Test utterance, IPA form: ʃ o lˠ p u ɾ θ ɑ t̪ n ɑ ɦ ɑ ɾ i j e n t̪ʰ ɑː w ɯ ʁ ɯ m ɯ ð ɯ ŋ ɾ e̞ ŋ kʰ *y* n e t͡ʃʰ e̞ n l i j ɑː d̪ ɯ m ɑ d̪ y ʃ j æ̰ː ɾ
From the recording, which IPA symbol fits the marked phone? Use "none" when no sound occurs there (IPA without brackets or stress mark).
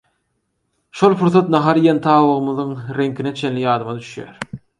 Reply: i